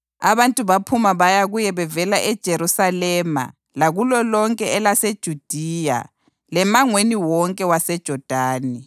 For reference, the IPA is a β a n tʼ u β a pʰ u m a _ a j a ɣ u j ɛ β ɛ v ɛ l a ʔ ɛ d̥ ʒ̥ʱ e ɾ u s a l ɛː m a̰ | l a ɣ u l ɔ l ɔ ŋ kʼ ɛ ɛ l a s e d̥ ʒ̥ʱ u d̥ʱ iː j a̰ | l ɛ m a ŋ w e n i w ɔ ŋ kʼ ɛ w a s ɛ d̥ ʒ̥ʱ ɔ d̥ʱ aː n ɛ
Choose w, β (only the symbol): β